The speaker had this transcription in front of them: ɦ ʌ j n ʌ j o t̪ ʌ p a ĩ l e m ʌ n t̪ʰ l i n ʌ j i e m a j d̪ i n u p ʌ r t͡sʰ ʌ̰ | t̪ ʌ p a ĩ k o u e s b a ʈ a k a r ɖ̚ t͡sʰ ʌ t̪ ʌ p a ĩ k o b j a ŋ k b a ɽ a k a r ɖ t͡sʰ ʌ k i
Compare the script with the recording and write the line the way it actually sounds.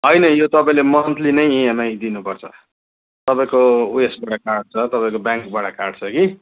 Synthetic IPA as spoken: ɦ ʌ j n ʌ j o t̪ ʌ p a ĩ l e m ʌ n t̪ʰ l i n ʌ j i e m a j d̪ i n u p ʌ r t͡sʰ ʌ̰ | t̪ ʌ p a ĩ k o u e s b a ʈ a k a r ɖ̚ t͡sʰ ʌ t̪ ʌ p a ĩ k o b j a ŋ k b a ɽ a k a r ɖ t͡sʰ ʌ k i